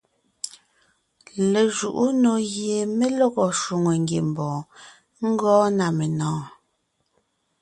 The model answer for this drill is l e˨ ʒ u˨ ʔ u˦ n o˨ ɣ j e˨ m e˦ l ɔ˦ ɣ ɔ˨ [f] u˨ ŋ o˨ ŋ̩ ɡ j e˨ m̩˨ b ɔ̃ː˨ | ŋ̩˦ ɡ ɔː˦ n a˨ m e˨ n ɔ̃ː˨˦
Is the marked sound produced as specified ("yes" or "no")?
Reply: no